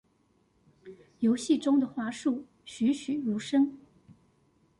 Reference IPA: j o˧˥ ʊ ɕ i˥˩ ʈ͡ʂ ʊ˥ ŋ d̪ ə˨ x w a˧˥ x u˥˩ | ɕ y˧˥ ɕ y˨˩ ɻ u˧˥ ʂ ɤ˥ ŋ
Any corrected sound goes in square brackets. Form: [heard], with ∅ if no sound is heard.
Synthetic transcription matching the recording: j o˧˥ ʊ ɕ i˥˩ ʈ͡ʂ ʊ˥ ŋ d̪ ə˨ x w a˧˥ [ʂ] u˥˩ | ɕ y˧˥ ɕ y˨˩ ɻ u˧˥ ʂ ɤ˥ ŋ